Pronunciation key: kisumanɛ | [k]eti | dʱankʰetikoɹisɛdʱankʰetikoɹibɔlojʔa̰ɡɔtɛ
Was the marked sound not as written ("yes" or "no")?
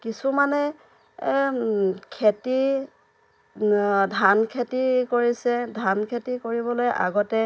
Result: yes